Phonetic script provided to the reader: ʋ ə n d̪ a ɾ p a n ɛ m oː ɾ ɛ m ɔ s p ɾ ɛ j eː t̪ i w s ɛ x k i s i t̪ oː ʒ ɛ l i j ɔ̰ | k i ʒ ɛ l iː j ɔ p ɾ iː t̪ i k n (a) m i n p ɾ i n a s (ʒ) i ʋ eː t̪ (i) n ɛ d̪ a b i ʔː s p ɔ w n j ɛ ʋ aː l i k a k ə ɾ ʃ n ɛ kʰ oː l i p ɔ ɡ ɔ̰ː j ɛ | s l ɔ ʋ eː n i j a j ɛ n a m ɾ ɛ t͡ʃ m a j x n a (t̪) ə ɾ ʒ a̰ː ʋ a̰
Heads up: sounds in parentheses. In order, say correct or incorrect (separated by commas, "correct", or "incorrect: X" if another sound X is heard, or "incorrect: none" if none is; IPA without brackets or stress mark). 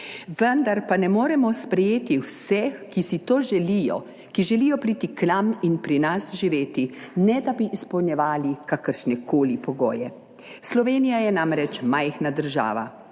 correct, correct, correct, incorrect: d̪